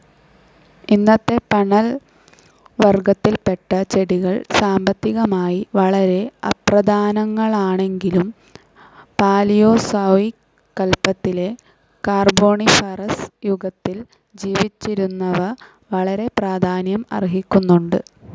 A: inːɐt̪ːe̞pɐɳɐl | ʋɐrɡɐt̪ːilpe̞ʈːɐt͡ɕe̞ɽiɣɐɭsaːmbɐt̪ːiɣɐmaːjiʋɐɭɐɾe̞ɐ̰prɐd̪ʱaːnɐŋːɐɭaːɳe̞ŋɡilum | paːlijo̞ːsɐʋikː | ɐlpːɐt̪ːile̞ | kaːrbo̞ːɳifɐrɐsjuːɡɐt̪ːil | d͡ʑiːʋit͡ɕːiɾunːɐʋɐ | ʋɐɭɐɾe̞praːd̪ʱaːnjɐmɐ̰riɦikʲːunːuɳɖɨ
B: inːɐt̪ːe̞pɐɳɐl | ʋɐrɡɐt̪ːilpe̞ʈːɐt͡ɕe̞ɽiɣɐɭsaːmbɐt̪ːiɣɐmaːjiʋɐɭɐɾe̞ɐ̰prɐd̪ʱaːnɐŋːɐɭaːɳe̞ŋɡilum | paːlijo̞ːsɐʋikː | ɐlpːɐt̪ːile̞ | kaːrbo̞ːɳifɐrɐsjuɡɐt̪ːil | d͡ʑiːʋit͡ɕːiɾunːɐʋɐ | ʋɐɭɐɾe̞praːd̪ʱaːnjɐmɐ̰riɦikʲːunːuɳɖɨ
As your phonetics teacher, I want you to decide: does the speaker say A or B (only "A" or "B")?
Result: B